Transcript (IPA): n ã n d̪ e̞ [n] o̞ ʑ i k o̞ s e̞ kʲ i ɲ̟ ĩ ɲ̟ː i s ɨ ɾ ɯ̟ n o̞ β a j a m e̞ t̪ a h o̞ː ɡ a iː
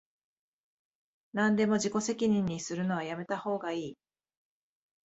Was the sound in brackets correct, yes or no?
no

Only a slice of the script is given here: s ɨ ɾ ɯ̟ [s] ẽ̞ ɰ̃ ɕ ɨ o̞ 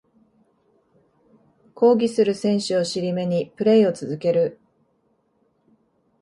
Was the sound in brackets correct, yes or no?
yes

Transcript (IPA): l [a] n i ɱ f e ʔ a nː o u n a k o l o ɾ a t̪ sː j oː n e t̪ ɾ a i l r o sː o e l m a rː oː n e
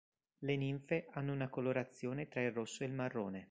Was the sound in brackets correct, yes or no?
no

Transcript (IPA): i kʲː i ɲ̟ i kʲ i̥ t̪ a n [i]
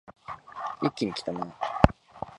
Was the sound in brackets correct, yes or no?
no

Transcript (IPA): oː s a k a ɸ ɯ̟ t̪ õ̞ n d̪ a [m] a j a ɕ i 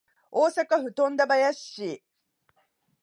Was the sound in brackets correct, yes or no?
no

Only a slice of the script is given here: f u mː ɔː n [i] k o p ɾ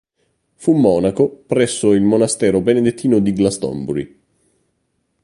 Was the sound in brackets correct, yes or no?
no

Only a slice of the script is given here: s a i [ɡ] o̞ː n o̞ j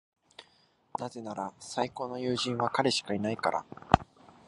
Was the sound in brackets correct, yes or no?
no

